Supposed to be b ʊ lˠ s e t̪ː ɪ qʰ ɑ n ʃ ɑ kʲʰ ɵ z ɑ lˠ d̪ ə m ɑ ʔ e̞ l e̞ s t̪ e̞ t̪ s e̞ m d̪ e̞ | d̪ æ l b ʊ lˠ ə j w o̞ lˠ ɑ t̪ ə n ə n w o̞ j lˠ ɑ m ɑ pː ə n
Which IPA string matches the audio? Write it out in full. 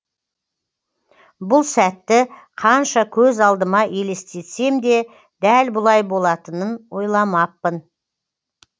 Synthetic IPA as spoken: b ʊ lˠ s æ t̪ː ɪ qʰ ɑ n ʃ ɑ kʲʰ ɵ z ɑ lˠ d̪ ə m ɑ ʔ e̞ l e̞ s t̪ e̞ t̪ s e̞ m d̪ e̞ | d̪ æ l b ʊ lˠ ɑ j b o̞ lˠ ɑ t̪ ə n ə n w o̞ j lˠ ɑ m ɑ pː ə n